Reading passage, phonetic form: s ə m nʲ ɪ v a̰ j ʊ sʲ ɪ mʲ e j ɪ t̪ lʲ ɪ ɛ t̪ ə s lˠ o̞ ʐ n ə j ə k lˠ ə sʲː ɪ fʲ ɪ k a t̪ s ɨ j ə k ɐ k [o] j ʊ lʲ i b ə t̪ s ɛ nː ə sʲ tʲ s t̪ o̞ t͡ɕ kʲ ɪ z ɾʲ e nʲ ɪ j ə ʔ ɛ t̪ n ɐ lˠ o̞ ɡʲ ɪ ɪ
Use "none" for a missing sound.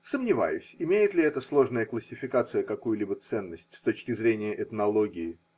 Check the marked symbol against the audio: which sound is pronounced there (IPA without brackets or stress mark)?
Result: u